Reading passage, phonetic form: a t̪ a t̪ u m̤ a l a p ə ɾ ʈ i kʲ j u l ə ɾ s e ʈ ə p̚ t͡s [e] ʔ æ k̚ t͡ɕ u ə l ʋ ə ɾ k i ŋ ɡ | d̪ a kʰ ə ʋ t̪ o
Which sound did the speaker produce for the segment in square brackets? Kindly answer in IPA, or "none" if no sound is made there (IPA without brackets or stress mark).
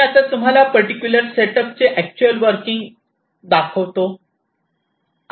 e